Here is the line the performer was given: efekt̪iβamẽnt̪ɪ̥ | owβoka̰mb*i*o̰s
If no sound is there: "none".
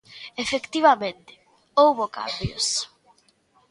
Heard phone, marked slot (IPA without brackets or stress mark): j